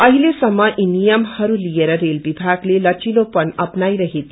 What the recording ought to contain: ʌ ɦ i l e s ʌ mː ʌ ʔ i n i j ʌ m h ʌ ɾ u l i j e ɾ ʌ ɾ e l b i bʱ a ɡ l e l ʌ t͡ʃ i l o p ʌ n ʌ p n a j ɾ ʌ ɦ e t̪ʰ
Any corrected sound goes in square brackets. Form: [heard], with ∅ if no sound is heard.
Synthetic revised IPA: ʌ ɦ i l e s ʌ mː ʌ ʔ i n i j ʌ m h ʌ ɾ u l i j e ɾ ʌ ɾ e l b i bʱ a ɡ l e l ʌ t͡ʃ i l o p ʌ n ʌ p n a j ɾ ʌ ɦ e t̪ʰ